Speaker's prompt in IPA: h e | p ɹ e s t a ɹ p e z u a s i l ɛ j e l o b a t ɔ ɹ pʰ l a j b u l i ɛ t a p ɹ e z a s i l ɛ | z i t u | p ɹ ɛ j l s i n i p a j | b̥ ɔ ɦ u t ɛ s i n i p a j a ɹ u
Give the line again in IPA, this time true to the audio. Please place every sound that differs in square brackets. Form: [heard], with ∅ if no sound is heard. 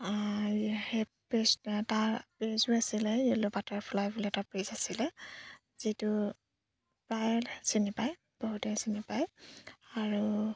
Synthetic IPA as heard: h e | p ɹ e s t a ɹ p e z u a s i l ɛ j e l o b a t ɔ ɹ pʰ l a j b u l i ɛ t a p ɹ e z a s i l ɛ | z i t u | p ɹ [a] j l s i n i p a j | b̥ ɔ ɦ u t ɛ s i n i p a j a ɹ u